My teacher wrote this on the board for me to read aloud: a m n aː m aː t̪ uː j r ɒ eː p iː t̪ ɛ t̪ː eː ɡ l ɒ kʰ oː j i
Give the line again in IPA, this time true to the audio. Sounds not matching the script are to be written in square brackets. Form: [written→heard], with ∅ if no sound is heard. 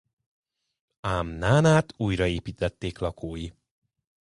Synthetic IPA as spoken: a m n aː [m→n] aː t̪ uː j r ɒ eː p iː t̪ ɛ t̪ː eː [ɡ→k] l ɒ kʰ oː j i